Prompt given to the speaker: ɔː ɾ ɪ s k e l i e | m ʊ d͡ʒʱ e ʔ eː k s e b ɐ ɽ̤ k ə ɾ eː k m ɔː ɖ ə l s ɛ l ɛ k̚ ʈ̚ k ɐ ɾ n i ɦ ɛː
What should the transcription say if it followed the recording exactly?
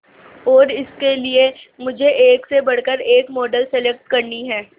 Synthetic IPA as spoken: ɔː ɾ ɪ s k e l i e | m ʊ d͡ʒʱ e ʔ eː k s e b ɐ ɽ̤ k ə ɾ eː k m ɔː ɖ ə l s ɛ l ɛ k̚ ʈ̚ k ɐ ɾ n i ɦ ɛː